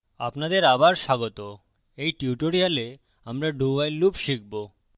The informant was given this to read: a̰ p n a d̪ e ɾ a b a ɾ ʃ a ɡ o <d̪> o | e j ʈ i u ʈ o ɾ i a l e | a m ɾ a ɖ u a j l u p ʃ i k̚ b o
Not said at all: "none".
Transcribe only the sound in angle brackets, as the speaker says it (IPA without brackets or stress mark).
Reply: t̪